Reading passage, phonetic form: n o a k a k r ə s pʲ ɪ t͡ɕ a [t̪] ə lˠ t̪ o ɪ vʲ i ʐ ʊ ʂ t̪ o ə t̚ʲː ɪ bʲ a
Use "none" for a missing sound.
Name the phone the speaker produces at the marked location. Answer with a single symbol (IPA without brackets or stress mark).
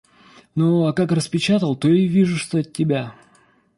t̪